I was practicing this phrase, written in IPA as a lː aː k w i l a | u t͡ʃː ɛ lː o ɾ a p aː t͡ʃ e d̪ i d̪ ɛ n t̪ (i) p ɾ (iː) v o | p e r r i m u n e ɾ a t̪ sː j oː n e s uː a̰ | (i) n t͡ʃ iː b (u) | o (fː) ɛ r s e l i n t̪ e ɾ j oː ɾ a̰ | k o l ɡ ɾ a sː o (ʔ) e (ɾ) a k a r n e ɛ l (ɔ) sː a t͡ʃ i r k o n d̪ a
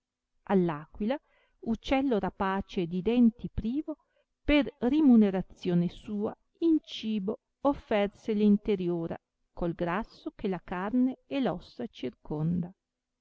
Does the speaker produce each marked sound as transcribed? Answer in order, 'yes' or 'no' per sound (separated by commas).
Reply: yes, yes, yes, no, yes, no, no, yes